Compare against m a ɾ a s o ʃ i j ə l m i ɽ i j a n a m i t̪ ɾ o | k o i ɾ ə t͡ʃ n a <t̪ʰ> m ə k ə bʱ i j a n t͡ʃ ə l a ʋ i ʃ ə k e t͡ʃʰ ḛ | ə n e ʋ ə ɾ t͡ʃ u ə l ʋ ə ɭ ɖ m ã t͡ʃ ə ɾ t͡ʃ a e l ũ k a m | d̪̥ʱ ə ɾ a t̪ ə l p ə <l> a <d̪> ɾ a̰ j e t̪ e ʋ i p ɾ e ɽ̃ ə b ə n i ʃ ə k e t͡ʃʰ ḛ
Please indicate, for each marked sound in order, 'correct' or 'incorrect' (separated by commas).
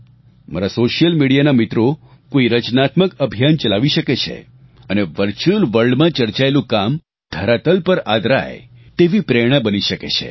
incorrect, incorrect, correct